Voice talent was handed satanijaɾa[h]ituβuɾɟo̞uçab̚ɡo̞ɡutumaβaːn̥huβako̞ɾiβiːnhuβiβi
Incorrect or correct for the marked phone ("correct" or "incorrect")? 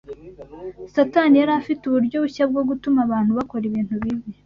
incorrect